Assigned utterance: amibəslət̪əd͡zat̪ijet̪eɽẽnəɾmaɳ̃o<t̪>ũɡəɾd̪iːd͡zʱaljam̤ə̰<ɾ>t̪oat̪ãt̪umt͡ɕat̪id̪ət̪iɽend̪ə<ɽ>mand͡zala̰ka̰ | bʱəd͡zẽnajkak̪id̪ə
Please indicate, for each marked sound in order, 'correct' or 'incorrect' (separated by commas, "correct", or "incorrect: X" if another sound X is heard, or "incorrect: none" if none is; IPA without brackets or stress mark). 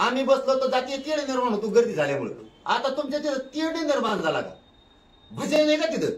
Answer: correct, incorrect: ɭ, incorrect: ɾ